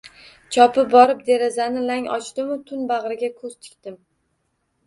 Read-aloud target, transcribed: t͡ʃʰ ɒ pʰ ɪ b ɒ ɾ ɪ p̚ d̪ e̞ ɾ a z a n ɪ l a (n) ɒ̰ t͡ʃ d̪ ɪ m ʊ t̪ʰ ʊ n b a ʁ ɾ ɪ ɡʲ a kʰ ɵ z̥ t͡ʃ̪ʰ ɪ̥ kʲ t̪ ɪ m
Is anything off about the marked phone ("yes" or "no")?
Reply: yes